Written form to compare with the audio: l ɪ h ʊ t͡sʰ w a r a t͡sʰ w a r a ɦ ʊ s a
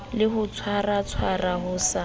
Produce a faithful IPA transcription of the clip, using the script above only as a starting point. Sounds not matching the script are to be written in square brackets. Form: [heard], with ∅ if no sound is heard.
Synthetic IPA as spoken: l ɪ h ʊ t͡sʰ w a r a t͡sʰ w a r a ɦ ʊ s a